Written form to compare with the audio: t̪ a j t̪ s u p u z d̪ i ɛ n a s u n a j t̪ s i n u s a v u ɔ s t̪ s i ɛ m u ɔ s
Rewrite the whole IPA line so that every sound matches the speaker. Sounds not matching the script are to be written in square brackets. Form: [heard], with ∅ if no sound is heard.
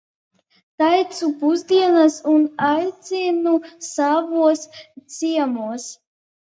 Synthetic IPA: t̪ a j t̪ s u p u z d̪ i ɛ n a s u n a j t̪ s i n u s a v u ɔ s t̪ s i ɛ m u ɔ s